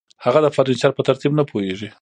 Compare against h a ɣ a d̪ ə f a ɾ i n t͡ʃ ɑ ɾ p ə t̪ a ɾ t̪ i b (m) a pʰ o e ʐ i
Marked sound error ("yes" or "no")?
yes